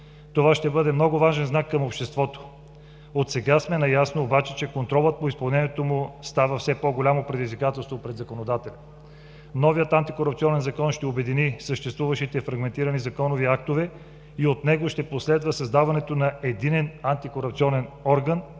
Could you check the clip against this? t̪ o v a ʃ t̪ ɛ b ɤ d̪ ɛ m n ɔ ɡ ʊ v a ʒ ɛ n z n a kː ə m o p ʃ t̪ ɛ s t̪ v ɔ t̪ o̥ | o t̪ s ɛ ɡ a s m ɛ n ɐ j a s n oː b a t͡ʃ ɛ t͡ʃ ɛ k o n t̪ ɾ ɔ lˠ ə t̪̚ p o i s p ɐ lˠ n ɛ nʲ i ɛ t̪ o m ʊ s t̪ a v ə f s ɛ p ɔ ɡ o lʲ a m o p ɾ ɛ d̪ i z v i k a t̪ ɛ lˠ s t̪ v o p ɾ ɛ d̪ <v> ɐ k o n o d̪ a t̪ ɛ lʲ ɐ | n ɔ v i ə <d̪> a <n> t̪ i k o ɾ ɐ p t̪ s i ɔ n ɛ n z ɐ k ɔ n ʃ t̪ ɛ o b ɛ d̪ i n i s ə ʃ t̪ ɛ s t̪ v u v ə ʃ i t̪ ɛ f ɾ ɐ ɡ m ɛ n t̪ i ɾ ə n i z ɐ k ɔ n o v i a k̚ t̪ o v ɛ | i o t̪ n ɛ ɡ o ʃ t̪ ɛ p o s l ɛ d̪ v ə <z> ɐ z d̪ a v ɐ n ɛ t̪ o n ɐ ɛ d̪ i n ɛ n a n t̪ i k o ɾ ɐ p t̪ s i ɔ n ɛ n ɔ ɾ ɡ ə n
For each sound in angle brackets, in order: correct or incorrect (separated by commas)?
incorrect, incorrect, correct, incorrect